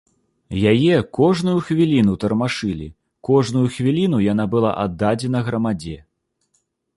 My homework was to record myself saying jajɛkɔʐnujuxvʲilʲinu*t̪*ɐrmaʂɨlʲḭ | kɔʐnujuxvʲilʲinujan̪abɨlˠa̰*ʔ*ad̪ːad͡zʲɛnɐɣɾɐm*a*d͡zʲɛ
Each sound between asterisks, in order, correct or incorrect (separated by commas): correct, correct, correct